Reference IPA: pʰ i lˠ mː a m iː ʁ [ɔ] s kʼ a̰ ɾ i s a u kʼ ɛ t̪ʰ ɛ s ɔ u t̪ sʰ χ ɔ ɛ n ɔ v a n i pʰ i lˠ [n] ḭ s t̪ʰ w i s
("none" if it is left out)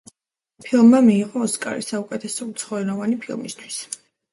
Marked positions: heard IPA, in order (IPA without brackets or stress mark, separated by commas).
ɔː, m